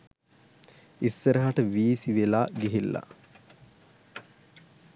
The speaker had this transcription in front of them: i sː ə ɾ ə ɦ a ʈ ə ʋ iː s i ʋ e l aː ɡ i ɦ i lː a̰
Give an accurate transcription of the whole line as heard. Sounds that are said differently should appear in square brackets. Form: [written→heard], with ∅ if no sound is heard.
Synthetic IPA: i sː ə ɾ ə ɦ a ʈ ə ʋ iː s i ʋ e l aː ɡ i ɦ i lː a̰